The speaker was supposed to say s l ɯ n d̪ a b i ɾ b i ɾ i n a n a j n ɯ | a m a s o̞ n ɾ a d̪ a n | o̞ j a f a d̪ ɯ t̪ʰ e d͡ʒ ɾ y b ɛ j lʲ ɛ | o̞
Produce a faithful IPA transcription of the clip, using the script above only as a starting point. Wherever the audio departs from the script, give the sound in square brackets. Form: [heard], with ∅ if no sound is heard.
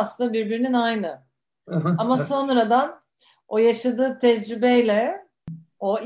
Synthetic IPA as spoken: s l ɯ n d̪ a b i ɾ b i ɾ i n [i] n a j n ɯ | a m a s o̞ n ɾ a d̪ a n | o̞ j a [ʃ] a d̪ [ɯː] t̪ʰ [ɛ] d͡ʒ ɾ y b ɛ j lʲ ɛ | o̞